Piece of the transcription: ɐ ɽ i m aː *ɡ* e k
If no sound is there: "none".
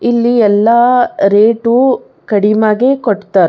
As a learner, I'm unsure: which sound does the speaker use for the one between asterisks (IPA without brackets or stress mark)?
ɡ